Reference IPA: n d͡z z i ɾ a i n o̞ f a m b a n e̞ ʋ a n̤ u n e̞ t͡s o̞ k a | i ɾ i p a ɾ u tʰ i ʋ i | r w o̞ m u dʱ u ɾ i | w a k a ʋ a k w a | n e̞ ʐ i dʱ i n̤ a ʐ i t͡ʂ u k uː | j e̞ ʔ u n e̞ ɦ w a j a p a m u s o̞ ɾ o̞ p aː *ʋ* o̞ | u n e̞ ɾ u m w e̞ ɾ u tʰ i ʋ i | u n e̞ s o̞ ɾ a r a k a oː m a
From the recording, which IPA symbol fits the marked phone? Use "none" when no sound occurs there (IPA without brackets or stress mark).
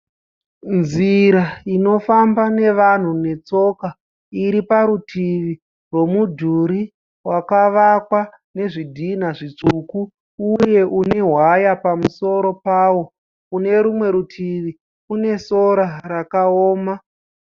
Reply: w